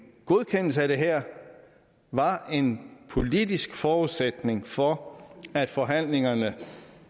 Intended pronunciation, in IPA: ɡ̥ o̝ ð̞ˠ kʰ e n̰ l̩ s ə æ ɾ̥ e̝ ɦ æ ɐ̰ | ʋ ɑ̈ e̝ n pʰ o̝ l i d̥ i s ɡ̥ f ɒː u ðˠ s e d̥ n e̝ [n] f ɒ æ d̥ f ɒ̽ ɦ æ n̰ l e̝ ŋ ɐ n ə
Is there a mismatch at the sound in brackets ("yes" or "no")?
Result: yes